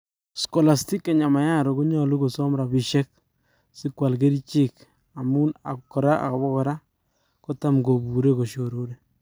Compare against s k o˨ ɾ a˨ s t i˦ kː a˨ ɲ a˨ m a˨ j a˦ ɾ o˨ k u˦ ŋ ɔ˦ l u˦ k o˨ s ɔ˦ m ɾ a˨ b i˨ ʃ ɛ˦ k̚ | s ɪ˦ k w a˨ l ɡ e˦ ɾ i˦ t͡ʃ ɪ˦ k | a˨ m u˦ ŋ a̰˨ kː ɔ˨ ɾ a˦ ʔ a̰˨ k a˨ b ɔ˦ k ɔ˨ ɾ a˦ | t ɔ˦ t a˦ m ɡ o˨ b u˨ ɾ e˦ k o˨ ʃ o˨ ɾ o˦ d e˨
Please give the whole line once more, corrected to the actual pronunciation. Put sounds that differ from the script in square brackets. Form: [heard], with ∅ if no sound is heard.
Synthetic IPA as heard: s k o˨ [l] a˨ s t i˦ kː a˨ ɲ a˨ m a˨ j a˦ ɾ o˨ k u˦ [ɲ] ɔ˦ l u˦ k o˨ s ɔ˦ m ɾ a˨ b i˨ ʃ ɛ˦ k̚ | s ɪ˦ k w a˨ l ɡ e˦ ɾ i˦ t͡ʃ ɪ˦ k | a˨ m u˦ [n] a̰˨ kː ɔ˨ ɾ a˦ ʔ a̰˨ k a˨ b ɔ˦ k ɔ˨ ɾ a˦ | [k] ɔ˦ t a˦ m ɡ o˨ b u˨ ɾ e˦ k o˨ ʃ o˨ ɾ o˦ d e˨